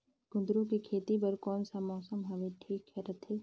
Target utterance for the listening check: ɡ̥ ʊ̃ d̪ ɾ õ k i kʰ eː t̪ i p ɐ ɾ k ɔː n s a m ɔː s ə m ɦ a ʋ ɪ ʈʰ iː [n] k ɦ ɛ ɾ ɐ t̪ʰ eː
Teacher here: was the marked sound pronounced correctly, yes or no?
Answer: no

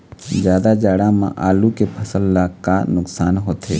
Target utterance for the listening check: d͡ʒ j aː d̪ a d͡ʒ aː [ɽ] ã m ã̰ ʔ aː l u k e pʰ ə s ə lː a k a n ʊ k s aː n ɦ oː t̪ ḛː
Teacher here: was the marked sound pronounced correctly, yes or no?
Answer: yes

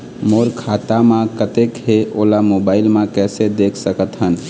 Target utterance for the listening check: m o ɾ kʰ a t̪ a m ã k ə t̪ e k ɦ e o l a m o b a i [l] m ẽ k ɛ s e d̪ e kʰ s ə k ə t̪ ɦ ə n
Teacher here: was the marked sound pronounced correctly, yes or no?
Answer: yes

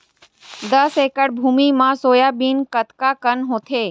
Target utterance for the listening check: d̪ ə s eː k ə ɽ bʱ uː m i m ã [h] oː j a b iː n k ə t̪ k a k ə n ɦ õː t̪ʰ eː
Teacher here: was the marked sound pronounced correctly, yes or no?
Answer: no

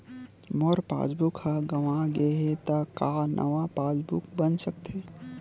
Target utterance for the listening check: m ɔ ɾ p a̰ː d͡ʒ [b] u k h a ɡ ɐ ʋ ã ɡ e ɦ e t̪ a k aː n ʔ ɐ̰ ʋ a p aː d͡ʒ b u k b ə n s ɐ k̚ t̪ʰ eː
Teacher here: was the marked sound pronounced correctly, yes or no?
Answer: yes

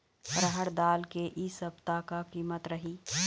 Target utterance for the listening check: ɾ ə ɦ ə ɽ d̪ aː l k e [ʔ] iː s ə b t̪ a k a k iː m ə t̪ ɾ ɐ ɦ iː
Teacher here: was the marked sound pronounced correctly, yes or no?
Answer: yes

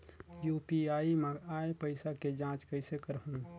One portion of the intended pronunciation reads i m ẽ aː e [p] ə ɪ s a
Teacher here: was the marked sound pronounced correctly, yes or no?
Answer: yes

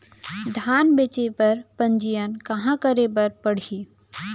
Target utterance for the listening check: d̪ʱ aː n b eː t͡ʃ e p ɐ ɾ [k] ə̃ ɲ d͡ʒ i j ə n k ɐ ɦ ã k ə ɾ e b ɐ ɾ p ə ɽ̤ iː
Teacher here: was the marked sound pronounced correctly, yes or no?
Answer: no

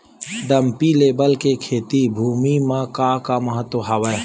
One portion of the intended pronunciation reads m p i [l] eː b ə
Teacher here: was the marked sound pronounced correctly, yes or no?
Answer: yes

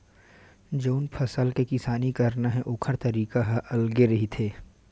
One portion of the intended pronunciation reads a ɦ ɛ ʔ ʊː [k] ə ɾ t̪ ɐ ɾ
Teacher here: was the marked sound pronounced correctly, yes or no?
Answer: no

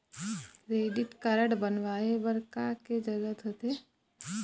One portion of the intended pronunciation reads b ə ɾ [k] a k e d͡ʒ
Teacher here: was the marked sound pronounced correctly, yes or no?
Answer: yes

